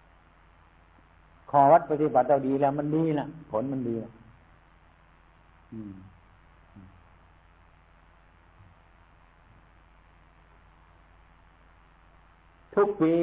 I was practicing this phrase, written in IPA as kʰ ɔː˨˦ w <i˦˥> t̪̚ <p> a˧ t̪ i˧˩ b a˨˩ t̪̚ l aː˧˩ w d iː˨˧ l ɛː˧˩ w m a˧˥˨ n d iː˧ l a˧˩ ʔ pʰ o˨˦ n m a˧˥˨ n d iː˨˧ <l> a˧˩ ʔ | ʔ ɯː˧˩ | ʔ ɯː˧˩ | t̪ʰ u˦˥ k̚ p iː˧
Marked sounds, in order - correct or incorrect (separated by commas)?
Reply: incorrect, correct, correct